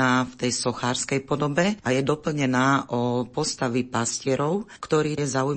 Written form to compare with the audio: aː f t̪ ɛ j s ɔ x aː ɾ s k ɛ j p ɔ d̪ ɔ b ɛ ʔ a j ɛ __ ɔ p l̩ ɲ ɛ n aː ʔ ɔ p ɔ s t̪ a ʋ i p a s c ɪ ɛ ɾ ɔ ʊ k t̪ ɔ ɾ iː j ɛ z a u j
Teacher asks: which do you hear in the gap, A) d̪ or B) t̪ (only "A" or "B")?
A